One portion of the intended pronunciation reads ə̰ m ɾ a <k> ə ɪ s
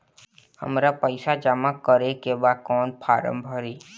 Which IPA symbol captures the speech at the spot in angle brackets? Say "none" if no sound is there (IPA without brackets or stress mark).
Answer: p